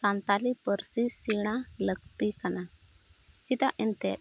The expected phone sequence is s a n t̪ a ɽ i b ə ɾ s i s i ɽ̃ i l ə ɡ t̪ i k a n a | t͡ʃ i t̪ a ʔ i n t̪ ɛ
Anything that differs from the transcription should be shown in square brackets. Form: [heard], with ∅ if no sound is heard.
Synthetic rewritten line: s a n t̪ a [l] i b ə ɾ s i s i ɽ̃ [a] l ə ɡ t̪ i k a n a | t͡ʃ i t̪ a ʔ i n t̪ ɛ